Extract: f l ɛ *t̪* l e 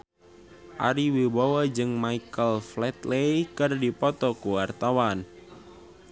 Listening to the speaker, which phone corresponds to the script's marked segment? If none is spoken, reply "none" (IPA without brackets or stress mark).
t̪